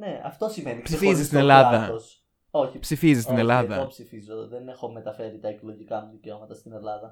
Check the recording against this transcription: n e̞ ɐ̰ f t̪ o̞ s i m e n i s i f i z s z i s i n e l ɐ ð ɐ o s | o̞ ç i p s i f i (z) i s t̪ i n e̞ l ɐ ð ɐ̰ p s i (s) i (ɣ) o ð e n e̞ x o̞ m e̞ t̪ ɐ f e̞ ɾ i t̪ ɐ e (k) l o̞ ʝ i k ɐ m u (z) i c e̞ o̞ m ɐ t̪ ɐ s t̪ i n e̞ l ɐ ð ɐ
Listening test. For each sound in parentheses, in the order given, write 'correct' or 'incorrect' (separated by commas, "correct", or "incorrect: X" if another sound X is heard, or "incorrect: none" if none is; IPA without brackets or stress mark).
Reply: correct, incorrect: f, incorrect: z, correct, incorrect: ð